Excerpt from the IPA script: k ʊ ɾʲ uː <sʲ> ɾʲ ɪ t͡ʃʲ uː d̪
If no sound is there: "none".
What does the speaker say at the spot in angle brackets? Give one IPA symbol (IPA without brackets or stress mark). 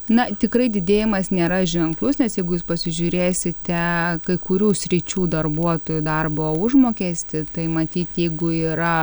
sʲ